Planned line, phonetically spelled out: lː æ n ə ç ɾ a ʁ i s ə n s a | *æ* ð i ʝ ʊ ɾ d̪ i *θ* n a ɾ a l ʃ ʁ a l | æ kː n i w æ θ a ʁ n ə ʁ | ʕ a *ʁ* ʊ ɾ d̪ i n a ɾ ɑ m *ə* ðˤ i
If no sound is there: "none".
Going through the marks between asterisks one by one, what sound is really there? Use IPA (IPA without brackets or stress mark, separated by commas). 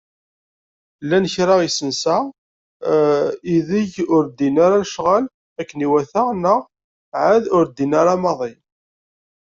i, none, ð, ɑ